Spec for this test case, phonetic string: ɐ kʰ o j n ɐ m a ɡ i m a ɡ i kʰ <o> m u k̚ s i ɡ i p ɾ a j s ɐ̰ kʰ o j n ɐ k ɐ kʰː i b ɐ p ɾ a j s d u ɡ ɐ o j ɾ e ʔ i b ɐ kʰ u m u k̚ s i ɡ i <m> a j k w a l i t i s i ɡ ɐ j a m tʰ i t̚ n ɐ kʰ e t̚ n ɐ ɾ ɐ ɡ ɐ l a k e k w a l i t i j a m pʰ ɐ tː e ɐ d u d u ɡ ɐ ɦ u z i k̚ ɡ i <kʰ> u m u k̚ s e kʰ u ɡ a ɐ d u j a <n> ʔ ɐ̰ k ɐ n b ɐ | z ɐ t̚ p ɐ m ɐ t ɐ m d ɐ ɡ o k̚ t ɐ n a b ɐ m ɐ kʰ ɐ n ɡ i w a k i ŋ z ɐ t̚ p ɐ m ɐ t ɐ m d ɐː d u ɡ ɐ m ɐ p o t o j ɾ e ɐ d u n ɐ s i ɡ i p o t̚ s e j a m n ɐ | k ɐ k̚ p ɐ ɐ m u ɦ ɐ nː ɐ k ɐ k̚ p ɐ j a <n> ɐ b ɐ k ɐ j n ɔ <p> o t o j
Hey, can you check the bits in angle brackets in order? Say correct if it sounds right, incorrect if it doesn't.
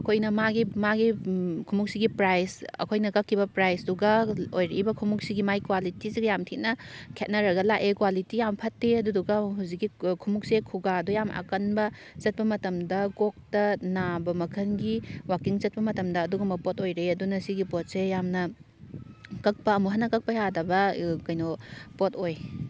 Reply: incorrect: u, correct, correct, incorrect: m, incorrect: d, correct

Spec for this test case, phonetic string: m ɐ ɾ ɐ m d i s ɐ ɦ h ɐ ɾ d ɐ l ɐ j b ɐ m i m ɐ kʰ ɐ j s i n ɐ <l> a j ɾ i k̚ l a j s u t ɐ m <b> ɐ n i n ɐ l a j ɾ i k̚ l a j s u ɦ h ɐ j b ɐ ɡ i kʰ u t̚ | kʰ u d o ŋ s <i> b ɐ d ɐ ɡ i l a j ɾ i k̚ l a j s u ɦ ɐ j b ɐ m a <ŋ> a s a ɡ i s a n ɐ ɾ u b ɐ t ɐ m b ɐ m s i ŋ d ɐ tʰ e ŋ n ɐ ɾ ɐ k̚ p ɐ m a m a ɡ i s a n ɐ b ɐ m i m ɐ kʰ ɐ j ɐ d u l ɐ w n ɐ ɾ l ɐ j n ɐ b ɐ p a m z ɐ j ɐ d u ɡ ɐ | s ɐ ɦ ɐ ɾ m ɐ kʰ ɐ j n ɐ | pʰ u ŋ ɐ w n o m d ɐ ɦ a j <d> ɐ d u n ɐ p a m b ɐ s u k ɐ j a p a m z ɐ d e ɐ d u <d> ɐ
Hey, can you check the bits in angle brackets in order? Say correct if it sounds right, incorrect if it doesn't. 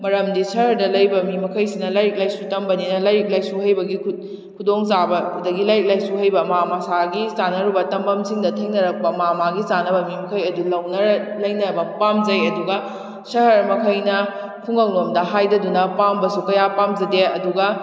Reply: correct, correct, incorrect: a, incorrect: m, correct, incorrect: ɡ

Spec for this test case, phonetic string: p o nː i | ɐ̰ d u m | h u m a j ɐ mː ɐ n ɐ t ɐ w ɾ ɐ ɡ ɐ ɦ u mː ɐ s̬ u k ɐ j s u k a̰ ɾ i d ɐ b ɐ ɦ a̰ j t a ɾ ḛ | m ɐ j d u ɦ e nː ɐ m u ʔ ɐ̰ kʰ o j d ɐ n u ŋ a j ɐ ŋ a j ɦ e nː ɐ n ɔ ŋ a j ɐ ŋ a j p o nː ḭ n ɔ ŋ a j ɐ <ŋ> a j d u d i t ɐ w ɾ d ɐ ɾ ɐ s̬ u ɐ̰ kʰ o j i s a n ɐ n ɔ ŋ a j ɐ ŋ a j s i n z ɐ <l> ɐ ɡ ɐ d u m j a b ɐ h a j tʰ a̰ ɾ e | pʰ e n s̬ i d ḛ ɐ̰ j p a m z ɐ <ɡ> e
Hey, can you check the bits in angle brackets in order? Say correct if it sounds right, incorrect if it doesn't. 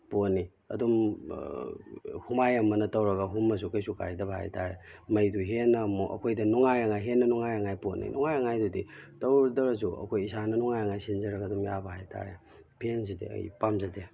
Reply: correct, incorrect: ɾ, incorrect: d

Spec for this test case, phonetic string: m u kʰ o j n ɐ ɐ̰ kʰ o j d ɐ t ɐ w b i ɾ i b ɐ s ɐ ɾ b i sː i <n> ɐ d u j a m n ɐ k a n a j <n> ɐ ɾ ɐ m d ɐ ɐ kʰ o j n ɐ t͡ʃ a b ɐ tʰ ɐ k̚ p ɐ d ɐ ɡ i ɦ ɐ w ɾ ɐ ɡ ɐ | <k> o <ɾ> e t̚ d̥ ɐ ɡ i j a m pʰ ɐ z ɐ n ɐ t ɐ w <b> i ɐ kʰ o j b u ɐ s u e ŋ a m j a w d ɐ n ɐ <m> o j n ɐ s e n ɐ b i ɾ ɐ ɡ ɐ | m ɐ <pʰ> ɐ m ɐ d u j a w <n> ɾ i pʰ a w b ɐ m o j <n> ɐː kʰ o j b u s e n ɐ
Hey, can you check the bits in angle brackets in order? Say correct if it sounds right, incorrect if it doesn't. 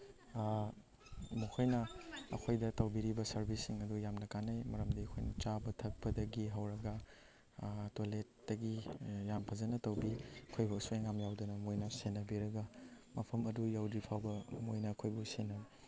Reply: incorrect: ŋ, incorrect: m, incorrect: t, incorrect: l, correct, correct, correct, incorrect: d, correct

